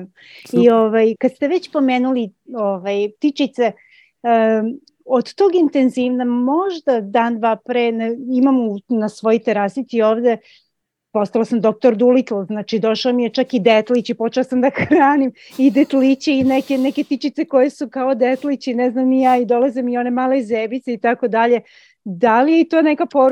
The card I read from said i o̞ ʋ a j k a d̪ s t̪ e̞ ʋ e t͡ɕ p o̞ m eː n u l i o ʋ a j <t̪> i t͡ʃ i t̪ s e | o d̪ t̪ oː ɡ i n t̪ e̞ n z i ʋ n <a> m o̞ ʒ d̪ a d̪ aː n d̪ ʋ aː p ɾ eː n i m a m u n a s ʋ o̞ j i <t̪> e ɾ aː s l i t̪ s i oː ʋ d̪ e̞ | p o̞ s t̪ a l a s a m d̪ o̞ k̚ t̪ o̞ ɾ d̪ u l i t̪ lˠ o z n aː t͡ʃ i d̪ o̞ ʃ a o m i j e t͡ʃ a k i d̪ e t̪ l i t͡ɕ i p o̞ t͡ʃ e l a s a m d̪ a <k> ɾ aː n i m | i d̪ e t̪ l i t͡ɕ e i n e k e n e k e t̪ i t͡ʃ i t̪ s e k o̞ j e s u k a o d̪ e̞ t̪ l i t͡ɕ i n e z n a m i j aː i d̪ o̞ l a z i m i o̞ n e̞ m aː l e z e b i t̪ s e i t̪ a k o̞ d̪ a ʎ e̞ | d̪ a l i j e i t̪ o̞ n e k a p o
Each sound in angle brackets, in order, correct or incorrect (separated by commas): correct, correct, correct, incorrect